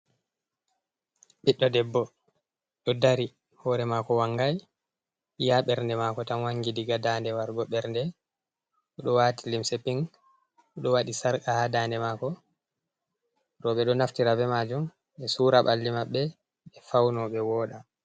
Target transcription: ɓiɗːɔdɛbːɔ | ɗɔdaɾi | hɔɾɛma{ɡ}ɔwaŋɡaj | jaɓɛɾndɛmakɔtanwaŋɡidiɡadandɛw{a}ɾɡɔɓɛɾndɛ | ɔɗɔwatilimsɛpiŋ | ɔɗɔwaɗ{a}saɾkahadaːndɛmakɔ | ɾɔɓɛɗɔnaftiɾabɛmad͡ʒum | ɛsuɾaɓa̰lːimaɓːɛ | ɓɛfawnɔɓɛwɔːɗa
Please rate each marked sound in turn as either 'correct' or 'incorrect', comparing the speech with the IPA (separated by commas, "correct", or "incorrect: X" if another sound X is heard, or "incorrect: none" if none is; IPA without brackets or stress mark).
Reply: incorrect: k, correct, incorrect: i